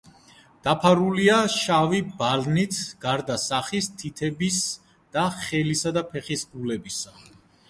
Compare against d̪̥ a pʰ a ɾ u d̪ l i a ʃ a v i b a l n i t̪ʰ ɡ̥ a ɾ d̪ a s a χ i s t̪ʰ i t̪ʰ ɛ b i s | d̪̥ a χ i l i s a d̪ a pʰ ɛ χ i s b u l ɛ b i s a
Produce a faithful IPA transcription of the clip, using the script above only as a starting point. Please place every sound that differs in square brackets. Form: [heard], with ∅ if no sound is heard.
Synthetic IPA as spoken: d̪̥ a pʰ a ɾ u [∅] l i a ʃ a v i b a l n i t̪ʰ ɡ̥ a ɾ d̪ a s a χ i s t̪ʰ i t̪ʰ ɛ b i s | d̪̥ a χ [ɛ] l i s a d̪ a pʰ ɛ χ i s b u l ɛ b i s a

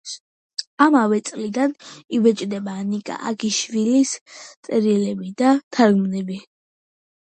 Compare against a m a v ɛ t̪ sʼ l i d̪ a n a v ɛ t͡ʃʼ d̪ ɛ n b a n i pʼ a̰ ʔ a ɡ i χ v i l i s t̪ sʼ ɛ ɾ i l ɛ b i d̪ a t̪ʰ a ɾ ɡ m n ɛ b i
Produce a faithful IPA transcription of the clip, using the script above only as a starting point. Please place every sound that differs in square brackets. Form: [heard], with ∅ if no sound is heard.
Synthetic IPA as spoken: a m a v ɛ t̪ sʼ l i d̪ a n [i] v ɛ t͡ʃʼ d̪ ɛ [∅] b a n i [kʼ] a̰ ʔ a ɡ i [ʃ] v i l i s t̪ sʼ ɛ ɾ i l ɛ b i d̪ a t̪ʰ a ɾ ɡ m n ɛ b i

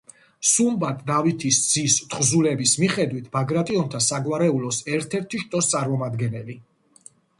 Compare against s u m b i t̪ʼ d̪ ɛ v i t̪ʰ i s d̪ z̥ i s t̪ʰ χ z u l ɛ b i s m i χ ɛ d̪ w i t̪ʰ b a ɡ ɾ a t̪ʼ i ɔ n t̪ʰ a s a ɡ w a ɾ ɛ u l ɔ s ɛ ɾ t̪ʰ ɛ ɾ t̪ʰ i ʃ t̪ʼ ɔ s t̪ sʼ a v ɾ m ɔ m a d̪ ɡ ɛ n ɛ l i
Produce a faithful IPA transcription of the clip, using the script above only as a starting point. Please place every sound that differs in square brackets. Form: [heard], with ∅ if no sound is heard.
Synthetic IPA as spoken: s u m b [a] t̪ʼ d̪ [a] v i t̪ʰ i s d̪ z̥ i s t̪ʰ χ z u l ɛ b i s m i χ ɛ d̪ w i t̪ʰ b a ɡ ɾ a t̪ʼ i ɔ n t̪ʰ a s a ɡ w a ɾ ɛ u l ɔ s ɛ ɾ t̪ʰ ɛ ɾ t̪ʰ i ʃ t̪ʼ ɔ s t̪ sʼ a [∅] ɾ m ɔ m a d̪ ɡ ɛ n ɛ l i

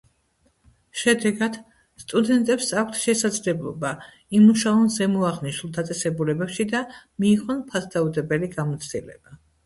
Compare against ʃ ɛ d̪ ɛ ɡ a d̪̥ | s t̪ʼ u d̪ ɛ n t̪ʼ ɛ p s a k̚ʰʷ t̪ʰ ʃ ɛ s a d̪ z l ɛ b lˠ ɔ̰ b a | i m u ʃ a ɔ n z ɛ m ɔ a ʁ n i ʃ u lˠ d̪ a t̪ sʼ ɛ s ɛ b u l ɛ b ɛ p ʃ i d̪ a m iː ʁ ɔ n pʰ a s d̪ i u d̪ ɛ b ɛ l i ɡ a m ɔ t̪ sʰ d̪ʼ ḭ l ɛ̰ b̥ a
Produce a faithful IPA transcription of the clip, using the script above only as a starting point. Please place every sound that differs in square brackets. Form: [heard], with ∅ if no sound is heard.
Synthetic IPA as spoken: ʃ ɛ d̪ ɛ ɡ a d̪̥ | s t̪ʼ u d̪ ɛ n t̪ʼ ɛ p s a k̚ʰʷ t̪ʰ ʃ ɛ s a d̪ z l ɛ b lˠ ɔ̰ b a | i m u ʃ a ɔ n z ɛ m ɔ a ʁ n i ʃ u lˠ d̪ a t̪ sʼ ɛ s ɛ b u l ɛ b ɛ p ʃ i d̪ a m iː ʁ ɔ n pʰ a s d̪ [a] u d̪ ɛ b ɛ l i ɡ a m ɔ t̪ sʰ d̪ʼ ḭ l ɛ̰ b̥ a

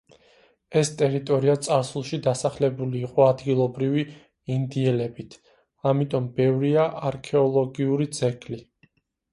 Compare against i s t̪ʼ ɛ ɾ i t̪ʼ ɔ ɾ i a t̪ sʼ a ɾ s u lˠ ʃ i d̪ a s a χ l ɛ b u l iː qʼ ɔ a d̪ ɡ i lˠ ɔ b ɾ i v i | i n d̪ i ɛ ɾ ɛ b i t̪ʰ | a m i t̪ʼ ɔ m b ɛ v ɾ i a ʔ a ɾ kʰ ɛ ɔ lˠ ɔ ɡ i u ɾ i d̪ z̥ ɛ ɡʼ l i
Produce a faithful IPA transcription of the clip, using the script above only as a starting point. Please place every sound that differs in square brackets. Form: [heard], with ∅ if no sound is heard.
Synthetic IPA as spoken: [ɛ] s t̪ʼ ɛ ɾ i t̪ʼ ɔ ɾ i a t̪ sʼ a ɾ s u lˠ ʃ i d̪ a s a χ l ɛ b u l iː qʼ ɔ a d̪ ɡ i lˠ ɔ b ɾ i v i | i n d̪ i ɛ [l] ɛ b i t̪ʰ | a m i t̪ʼ ɔ m b ɛ v ɾ i a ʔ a ɾ kʰ ɛ ɔ lˠ ɔ ɡ i u ɾ i d̪ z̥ ɛ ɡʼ l i

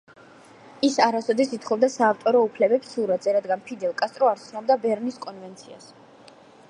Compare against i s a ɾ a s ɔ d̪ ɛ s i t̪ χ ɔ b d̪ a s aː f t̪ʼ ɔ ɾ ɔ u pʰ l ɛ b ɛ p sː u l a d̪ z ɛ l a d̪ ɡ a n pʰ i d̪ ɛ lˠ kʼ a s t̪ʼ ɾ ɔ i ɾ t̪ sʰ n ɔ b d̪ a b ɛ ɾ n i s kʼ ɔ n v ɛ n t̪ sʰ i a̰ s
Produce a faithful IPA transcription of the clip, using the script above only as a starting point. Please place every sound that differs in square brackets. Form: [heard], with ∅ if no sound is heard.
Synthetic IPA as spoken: i s a ɾ a s ɔ d̪ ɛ s i t̪ χ ɔ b d̪ a s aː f t̪ʼ ɔ ɾ ɔ u pʰ l ɛ b ɛ p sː u [ɾ] a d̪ z ɛ [ɾ] a d̪ ɡ a n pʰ i d̪ ɛ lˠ kʼ a s t̪ʼ ɾ ɔ [a] ɾ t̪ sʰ n ɔ b d̪ a b ɛ ɾ n i s kʼ ɔ n v ɛ n t̪ sʰ i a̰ s

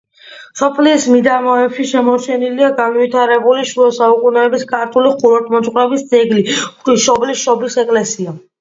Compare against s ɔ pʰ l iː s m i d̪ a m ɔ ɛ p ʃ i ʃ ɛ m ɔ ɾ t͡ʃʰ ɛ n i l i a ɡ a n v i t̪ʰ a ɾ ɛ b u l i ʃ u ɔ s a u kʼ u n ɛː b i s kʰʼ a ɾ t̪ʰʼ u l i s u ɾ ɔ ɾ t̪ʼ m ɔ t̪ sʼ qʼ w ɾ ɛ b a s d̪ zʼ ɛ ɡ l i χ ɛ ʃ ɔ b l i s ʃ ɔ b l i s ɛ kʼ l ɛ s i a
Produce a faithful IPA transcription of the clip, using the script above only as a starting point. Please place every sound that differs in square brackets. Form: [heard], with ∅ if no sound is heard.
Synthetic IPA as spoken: s ɔ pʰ l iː s m i d̪ a m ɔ ɛ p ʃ i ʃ ɛ m ɔ ɾ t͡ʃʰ ɛ n i l i a ɡ a n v i t̪ʰ a ɾ ɛ b u l i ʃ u ɔ s a u kʼ u n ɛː b i s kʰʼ a ɾ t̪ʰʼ u l i [χ] u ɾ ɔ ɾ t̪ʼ m ɔ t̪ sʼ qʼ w ɾ ɛ b [i] s d̪ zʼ ɛ ɡ l i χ [i] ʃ ɔ b l i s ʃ ɔ b l i s ɛ kʼ l ɛ s i a

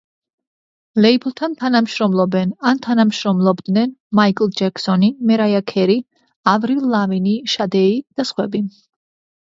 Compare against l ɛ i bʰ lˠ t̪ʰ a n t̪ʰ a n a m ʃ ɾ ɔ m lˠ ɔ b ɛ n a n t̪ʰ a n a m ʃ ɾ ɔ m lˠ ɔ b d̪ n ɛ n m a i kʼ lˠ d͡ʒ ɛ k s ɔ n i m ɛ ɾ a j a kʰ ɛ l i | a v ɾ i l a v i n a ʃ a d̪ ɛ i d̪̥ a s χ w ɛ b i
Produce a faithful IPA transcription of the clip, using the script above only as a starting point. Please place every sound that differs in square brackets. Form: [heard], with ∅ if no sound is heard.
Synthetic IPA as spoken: l ɛ i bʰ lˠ t̪ʰ a n t̪ʰ a n a m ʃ ɾ ɔ m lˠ ɔ b ɛ n a n t̪ʰ a n a m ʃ ɾ ɔ m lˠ ɔ b d̪ n ɛ n m a i kʼ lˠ d͡ʒ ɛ k s ɔ n i m ɛ ɾ a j a kʰ ɛ [ɾ] i | a v ɾ i l a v i n [i] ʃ a d̪ ɛ i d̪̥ a s χ w ɛ b i

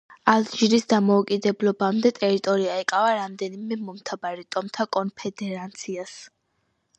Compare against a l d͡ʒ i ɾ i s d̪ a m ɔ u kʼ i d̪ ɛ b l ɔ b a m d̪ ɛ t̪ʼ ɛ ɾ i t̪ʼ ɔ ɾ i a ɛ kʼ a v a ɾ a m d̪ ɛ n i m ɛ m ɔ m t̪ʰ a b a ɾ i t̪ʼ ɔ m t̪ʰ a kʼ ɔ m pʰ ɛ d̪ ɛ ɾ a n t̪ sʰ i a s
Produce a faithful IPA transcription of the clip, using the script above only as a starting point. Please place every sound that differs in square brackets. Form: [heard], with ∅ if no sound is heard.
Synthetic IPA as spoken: a l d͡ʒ i ɾ i s d̪ a m ɔ u kʼ i d̪ ɛ b l ɔ b a m d̪ ɛ t̪ʼ ɛ ɾ i t̪ʼ ɔ ɾ i a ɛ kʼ a v a ɾ a m d̪ ɛ n i m ɛ m ɔ m t̪ʰ a b a ɾ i t̪ʼ ɔ m t̪ʰ a kʼ ɔ [n] pʰ ɛ d̪ ɛ ɾ a n t̪ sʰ i a s

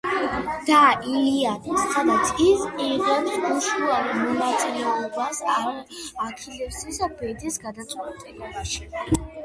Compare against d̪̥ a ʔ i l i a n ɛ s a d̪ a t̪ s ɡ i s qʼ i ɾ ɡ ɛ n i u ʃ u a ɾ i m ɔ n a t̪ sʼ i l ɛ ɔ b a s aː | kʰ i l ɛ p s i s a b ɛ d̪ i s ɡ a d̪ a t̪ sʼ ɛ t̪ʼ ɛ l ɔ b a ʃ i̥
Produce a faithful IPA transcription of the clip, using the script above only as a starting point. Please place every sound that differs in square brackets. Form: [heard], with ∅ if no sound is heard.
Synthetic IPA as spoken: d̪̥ a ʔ i l i a n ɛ s a d̪ a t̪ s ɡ i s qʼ i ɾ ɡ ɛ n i u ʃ u a ɾ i m ɔ n a t̪ sʼ i l ɛ ɔ b a s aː | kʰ i l ɛ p s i s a b ɛ d̪ i s ɡ a d̪ a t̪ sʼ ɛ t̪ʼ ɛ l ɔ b a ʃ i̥

